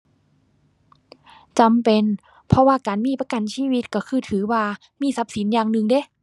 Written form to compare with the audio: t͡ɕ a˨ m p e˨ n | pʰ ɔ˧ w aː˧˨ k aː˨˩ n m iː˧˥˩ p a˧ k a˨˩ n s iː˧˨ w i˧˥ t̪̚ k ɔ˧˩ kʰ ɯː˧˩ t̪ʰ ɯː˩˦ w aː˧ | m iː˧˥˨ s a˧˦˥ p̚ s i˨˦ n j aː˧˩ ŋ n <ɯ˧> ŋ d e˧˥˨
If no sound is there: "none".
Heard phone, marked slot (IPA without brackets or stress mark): ɯ˧